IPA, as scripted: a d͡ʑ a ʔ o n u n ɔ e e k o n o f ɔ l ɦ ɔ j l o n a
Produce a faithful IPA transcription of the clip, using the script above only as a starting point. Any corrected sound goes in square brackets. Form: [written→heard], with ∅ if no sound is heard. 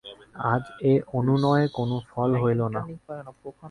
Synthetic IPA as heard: a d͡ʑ [a→e] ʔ o n u n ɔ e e k o n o f ɔ l ɦ [ɔ→o] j l o n a